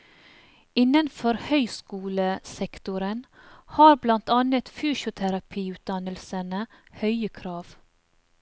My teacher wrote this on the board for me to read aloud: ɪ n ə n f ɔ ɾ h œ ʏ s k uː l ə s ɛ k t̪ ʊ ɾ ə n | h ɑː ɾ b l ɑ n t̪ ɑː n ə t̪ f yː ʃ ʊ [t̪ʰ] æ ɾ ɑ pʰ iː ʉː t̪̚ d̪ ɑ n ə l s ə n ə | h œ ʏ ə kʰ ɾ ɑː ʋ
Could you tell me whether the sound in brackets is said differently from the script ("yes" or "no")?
no